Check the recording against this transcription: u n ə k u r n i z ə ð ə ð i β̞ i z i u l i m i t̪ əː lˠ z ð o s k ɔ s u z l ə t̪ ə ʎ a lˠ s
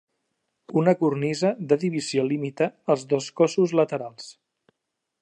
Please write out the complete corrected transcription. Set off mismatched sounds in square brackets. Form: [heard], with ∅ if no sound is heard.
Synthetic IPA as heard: u n ə k u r n i z ə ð ə ð i β̞ i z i [o] l i m i t̪ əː lˠ z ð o s k ɔ s u z l ə t̪ ə [ɾ] a lˠ s